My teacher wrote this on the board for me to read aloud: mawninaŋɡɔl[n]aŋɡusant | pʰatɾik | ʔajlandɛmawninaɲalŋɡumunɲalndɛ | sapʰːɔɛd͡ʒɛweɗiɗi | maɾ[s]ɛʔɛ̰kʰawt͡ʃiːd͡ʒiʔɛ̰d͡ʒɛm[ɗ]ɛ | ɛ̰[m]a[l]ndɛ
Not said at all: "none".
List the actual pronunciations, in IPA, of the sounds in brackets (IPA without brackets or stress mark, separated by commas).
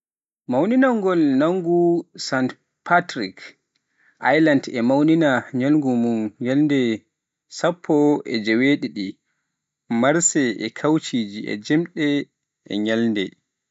n, s, ɗ, ɲ, l